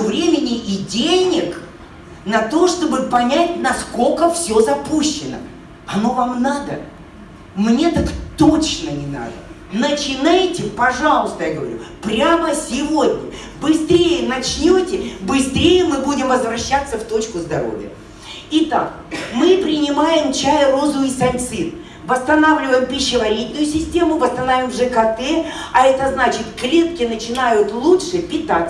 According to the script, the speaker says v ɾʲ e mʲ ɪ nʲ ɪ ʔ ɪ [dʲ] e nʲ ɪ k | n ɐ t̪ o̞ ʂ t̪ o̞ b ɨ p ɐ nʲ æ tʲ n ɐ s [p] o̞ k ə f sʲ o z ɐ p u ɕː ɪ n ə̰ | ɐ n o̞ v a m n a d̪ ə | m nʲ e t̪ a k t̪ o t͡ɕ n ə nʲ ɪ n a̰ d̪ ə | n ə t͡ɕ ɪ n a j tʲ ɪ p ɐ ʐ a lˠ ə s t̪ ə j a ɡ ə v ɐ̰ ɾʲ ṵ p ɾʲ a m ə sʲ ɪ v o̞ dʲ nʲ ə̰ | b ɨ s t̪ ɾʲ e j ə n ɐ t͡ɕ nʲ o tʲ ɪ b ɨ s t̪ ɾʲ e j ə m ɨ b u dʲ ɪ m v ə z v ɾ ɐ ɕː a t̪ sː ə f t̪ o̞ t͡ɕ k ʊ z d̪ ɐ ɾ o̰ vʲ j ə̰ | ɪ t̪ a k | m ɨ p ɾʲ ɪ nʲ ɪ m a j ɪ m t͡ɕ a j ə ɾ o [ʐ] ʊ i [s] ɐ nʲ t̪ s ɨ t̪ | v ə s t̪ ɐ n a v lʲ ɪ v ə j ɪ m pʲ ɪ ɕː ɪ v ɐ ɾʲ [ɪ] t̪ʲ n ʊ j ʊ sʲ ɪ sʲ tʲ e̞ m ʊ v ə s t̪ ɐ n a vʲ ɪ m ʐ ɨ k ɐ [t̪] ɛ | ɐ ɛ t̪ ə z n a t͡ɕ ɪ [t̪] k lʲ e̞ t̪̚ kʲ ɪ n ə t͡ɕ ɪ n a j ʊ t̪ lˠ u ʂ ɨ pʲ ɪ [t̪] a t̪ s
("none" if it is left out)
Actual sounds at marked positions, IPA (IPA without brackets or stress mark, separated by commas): dʲ, k, z, s, i, t̪, t̪, t̪